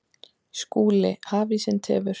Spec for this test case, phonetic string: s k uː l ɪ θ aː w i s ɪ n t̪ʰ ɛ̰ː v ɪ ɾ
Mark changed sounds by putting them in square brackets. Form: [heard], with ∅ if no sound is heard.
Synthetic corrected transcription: s k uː l ɪ [h] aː [v] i s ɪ n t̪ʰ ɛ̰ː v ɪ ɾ

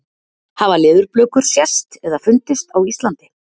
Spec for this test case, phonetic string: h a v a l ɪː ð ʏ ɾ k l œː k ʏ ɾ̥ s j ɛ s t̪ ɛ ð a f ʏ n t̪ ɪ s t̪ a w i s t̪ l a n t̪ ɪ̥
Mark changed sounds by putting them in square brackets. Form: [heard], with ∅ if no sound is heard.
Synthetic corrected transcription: h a v a l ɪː ð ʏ ɾ [p] l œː k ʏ ɾ̥ s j ɛ s t̪ ɛ ð a f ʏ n t̪ ɪ s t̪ a w i s t̪ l a n t̪ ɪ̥

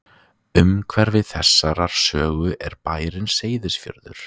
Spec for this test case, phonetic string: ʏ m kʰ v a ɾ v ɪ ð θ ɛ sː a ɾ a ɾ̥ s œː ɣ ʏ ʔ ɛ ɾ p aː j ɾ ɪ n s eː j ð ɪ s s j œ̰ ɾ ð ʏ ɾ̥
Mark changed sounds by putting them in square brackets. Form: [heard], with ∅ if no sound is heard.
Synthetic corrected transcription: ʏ m kʰ v [ɛ] ɾ v ɪ ð θ ɛ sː a ɾ a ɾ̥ s œː ɣ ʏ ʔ ɛ ɾ p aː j ɾ ɪ n s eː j ð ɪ s [f] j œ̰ ɾ ð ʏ ɾ̥

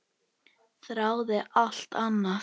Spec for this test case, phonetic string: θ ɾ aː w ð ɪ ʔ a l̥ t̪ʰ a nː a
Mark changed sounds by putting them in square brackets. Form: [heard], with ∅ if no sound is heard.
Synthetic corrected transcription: θ ɾ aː w ð ɪ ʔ a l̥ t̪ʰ a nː a

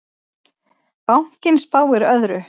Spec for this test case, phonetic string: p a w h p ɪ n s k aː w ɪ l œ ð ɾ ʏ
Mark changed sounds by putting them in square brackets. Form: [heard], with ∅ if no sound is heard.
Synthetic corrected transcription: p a w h [c] ɪ n s [p] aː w ɪ [ɾ] œ ð ɾ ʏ

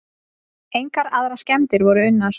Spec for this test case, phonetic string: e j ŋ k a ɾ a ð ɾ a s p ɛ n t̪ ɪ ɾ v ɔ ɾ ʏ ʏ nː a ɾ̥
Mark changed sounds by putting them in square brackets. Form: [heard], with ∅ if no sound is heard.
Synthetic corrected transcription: e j ŋ k a ɾ a ð ɾ a s [c] ɛ [m] t̪ ɪ ɾ v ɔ ɾ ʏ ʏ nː a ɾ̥

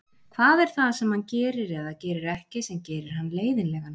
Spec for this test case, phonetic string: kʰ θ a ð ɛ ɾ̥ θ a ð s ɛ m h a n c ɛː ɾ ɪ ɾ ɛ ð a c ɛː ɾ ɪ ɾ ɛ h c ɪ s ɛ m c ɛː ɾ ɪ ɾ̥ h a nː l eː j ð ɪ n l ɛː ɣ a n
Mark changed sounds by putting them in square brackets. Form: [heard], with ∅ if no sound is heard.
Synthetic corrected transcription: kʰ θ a ð ɛ ɾ̥ θ a ð s ɛ m h a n c ɛː ɾ ɪ ɾ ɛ ð a c ɛː ɾ ɪ ɾ ɛ h c ɪ s ɛ m c ɛː ɾ ɪ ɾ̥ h a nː l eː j ð ɪ n l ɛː ɣ a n

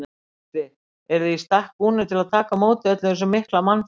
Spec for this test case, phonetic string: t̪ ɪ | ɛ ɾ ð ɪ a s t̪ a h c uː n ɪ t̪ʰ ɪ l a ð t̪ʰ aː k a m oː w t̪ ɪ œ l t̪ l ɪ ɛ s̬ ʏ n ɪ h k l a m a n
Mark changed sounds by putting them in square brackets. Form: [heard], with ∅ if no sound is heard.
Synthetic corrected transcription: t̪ ɪ | ɛ ɾ ð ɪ [i] s t̪ a h [k] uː n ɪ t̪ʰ ɪ l a ð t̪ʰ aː k a m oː w t̪ ɪ œ [∅] t̪ l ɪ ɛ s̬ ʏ [m] ɪ h k l a m a n

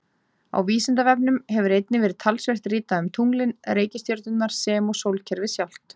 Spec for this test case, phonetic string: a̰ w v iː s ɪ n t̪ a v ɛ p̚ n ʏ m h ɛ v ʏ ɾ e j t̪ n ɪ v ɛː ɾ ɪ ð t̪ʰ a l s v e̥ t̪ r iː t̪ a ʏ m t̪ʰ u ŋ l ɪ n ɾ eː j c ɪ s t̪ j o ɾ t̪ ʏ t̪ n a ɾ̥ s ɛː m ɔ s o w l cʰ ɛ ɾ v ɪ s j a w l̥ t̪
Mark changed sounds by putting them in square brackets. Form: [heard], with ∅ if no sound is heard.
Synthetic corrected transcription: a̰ w v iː s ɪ n t̪ a v ɛ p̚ n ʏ m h ɛ v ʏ ɾ e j t̪ n ɪ v ɛː ɾ ɪ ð t̪ʰ a l s v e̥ t̪ r iː t̪ a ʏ m t̪ʰ u ŋ l ɪ n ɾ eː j c ɪ s t̪ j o ɾ t̪ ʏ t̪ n a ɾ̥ s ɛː m ɔ s o w l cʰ ɛ ɾ v ɪ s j a w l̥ t̪

